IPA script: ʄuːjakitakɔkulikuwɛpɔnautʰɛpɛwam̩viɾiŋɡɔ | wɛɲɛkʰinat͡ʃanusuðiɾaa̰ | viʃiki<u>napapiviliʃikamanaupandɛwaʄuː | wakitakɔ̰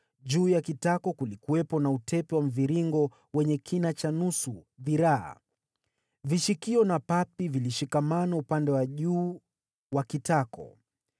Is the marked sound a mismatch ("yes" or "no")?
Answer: yes